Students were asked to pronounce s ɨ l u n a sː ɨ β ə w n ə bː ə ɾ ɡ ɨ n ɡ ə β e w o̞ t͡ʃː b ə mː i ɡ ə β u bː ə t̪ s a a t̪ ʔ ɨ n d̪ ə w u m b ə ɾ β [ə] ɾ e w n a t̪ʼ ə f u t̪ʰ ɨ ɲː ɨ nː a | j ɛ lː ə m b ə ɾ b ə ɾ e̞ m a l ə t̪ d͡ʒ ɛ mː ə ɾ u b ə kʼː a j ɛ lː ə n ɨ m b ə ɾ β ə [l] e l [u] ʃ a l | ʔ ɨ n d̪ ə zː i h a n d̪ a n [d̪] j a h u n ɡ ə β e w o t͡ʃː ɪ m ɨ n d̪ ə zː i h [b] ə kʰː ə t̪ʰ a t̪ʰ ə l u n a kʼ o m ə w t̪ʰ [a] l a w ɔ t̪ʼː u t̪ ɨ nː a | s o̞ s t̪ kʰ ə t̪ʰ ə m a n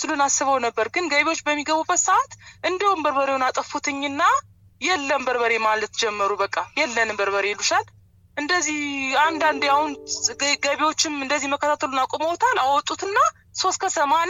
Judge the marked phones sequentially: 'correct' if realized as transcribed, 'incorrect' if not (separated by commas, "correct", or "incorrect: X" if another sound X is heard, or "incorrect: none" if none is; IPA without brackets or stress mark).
correct, incorrect: ɾ, correct, correct, incorrect: m, correct